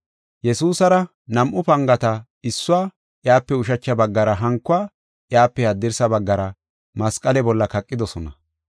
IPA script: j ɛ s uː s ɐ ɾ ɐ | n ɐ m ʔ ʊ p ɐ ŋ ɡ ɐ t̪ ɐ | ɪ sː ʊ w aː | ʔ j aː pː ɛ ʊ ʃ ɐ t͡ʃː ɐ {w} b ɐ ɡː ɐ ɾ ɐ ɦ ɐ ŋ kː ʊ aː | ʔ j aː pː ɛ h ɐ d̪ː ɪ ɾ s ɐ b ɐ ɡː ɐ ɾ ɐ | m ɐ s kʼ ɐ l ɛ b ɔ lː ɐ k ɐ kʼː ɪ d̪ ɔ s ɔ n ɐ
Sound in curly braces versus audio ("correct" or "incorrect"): incorrect